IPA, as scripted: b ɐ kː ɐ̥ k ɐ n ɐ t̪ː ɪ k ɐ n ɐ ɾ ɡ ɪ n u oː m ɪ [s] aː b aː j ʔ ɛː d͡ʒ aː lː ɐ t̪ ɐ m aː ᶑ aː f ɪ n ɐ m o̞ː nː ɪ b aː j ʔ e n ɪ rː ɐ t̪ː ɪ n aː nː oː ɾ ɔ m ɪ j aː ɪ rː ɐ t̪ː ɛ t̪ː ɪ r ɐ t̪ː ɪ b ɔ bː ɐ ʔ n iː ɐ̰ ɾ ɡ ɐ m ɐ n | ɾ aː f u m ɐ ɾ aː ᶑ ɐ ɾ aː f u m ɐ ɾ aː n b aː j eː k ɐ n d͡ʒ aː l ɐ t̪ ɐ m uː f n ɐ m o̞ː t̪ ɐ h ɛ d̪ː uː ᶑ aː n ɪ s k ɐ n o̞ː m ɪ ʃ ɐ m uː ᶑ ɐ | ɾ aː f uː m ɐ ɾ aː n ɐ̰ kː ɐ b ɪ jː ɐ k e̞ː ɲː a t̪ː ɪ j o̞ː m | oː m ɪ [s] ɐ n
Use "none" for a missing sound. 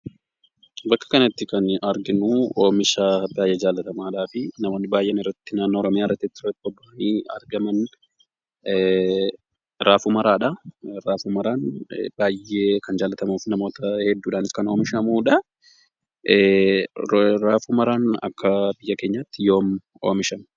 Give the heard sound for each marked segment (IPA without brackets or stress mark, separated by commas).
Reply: ʃ, ʃ